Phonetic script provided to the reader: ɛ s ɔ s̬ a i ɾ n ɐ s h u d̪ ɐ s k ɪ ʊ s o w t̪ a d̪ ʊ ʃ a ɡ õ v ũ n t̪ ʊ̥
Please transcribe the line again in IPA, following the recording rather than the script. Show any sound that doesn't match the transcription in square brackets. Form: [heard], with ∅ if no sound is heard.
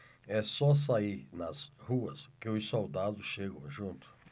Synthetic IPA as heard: ɛ s ɔ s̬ a i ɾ n ɐ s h u [∅] ɐ s k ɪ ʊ s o w [d̪] a d̪ ʊ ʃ [e] ɡ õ [ʒ] ũ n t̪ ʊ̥